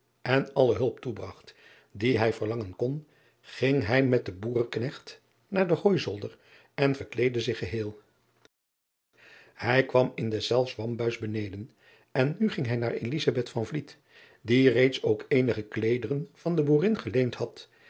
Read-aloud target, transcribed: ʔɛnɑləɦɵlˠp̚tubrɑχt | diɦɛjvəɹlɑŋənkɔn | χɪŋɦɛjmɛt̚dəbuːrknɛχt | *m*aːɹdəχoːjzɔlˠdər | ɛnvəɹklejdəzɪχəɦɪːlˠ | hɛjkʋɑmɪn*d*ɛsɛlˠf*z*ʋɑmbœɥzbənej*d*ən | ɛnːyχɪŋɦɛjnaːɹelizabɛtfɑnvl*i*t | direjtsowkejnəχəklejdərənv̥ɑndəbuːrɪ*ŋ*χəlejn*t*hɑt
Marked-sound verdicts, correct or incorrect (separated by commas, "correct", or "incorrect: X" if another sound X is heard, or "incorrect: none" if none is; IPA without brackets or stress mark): incorrect: n, correct, incorrect: s, correct, correct, incorrect: n, correct